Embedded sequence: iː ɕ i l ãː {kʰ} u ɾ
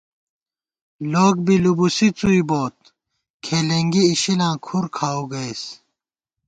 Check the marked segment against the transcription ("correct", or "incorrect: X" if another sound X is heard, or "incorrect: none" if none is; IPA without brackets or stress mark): correct